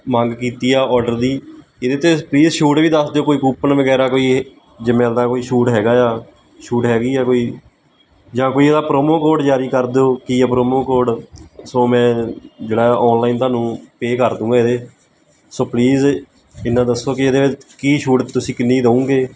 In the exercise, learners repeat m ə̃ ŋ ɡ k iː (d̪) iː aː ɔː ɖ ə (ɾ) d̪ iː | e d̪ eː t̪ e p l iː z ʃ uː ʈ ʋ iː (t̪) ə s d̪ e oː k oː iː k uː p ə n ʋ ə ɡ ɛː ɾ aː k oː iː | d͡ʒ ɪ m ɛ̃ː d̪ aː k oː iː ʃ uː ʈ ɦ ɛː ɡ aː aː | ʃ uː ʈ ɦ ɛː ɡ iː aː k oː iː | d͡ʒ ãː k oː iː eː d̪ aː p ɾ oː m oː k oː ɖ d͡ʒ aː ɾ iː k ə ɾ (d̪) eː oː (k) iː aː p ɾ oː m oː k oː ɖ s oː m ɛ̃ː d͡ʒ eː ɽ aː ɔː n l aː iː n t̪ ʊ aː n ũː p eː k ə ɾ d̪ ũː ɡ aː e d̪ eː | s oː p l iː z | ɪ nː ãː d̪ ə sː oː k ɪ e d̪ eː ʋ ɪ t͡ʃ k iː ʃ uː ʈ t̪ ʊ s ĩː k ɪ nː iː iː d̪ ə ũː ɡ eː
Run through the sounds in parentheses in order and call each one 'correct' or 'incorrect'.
incorrect: t̪, correct, incorrect: d̪, correct, correct

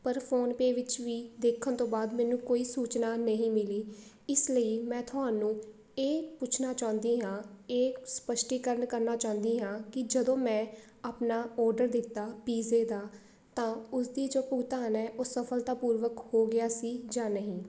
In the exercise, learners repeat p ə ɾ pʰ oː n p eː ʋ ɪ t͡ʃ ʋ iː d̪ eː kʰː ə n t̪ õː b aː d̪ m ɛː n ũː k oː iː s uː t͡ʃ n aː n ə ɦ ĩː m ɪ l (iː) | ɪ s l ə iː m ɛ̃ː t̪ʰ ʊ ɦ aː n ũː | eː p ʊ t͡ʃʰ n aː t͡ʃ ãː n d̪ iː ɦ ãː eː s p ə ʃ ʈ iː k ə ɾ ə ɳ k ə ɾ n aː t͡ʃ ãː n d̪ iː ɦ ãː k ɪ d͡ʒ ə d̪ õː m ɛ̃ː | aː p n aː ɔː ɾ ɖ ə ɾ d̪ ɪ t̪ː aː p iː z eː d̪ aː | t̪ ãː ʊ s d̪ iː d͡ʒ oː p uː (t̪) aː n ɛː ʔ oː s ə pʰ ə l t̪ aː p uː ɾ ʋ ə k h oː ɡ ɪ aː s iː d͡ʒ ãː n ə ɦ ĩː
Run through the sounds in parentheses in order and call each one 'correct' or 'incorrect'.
correct, correct

